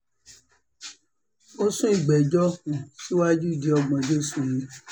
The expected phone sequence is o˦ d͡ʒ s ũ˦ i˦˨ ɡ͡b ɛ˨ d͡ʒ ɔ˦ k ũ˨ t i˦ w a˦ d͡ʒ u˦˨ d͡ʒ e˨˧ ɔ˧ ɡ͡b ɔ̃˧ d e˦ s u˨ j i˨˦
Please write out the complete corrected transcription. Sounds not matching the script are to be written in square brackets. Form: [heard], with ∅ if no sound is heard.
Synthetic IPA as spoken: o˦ [∅] s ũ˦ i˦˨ ɡ͡b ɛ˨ d͡ʒ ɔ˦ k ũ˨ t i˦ w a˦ d͡ʒ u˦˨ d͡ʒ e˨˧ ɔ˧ ɡ͡b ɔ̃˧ [d͡ʒ] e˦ s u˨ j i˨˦